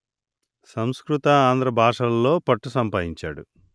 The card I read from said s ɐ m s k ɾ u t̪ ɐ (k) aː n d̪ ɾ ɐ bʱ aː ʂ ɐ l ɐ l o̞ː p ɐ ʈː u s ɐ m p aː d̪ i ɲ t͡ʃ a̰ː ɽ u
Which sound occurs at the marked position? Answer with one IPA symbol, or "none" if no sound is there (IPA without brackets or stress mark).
none